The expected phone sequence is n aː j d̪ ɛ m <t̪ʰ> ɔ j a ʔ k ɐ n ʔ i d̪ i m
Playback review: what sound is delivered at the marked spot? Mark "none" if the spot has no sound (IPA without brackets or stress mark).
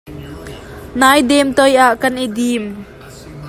t̪